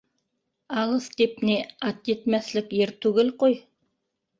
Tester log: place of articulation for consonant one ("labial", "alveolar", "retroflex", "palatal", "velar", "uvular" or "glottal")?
alveolar